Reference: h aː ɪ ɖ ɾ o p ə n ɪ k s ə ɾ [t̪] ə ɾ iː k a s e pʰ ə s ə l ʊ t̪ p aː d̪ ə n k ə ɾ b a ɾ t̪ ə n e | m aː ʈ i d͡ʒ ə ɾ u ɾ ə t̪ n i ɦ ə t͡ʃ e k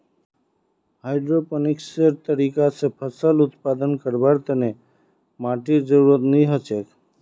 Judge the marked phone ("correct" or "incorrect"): correct